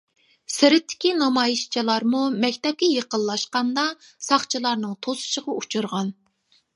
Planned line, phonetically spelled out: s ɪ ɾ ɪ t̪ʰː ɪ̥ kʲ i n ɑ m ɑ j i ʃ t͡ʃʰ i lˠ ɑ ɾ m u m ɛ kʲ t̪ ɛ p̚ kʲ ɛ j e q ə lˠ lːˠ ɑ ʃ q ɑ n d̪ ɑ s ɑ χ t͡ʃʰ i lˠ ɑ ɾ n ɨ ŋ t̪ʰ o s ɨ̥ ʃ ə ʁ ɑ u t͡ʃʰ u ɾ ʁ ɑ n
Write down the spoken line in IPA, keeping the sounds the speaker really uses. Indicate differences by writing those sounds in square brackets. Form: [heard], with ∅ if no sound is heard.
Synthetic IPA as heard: s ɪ ɾ ɪ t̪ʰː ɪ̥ kʲ i n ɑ m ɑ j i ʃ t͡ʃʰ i lˠ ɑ ɾ m u m ɛ kʲ t̪ ɛ p̚ kʲ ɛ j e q ə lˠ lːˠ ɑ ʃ q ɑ n d̪ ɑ s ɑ χ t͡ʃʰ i lˠ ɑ ɾ n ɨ ŋ t̪ʰ o s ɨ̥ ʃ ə ʁ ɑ u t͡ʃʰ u ɾ ʁ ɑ n